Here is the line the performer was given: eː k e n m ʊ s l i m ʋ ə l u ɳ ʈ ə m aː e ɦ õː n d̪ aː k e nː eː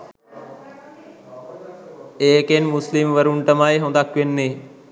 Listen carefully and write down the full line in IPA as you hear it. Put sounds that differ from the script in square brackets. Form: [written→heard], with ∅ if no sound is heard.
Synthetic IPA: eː k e n m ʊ s l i m ʋ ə [l→ɾ] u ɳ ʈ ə m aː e ɦ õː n d̪ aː k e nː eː